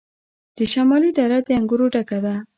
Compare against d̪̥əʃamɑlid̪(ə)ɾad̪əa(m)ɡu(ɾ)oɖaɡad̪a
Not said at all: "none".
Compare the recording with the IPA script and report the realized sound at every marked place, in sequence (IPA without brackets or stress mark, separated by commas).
a, ŋ, ɾ